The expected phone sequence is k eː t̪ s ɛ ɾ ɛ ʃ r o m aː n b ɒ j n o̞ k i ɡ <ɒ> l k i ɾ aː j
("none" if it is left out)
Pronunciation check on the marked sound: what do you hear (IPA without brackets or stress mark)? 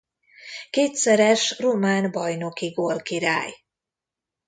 o